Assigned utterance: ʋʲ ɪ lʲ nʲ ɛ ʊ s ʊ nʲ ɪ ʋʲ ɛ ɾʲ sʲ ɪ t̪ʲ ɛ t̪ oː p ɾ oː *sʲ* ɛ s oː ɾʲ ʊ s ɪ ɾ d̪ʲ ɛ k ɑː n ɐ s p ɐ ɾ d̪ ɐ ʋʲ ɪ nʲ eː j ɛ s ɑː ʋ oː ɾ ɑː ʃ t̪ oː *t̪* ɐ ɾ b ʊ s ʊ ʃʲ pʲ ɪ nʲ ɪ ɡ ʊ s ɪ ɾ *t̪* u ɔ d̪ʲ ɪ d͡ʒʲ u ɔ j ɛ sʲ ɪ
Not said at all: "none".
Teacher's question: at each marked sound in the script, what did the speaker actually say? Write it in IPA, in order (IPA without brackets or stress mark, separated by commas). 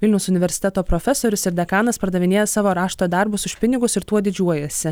fʲ, d̪, t̪